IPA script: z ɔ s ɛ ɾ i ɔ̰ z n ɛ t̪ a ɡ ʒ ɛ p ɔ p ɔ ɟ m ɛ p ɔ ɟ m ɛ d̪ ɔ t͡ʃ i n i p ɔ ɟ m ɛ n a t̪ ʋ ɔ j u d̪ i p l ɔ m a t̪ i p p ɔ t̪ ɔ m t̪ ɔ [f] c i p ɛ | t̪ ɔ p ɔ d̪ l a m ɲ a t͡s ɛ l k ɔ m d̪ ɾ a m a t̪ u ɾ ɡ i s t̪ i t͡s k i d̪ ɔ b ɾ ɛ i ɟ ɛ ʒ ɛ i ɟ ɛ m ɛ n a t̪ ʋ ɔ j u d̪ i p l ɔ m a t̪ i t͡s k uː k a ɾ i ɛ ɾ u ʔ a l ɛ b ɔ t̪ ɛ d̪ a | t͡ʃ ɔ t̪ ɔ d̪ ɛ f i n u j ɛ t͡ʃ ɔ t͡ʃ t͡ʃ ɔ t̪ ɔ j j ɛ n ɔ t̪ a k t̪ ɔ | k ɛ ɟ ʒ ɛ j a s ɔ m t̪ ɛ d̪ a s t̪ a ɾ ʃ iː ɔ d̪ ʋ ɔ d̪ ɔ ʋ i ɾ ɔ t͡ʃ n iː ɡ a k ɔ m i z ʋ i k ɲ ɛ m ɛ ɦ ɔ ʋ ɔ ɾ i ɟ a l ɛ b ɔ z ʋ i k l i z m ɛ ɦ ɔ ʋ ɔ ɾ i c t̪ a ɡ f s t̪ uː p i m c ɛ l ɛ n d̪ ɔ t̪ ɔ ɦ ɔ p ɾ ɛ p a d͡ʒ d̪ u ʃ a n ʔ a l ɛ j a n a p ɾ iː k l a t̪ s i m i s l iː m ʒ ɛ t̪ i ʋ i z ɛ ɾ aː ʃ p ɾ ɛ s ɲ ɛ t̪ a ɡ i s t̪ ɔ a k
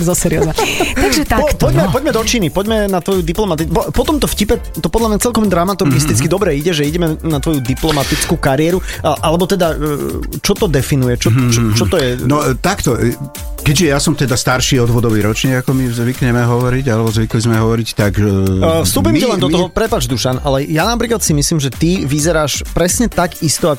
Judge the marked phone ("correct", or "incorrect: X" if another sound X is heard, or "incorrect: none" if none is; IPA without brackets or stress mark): correct